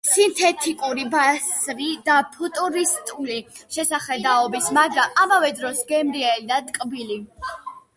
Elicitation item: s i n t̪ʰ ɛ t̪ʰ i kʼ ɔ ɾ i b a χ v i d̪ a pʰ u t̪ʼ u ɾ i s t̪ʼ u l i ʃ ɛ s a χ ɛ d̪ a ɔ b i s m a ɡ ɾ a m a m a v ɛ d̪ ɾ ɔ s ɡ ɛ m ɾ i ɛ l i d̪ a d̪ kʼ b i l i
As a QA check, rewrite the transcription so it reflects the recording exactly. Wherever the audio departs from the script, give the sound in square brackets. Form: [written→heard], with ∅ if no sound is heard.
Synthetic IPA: s i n t̪ʰ ɛ t̪ʰ i kʼ [ɔ→u] ɾ i b a [χ→s] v i d̪ a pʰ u t̪ʼ u ɾ i s t̪ʼ u l i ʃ ɛ s a χ ɛ d̪ a ɔ b i s m a ɡ ɾ a m a m a v ɛ d̪ ɾ ɔ s ɡ ɛ m ɾ i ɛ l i d̪ a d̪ kʼ b i l i